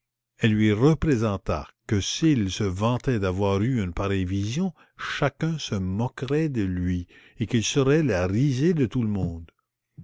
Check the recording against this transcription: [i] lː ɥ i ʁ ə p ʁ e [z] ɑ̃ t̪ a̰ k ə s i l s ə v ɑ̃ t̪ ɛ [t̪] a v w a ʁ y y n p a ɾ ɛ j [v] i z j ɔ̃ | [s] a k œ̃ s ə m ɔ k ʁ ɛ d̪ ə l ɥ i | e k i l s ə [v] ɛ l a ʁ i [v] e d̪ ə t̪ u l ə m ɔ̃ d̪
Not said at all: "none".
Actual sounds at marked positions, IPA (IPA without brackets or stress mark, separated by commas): ɛ, z, d̪, v, ʃ, ʁ, z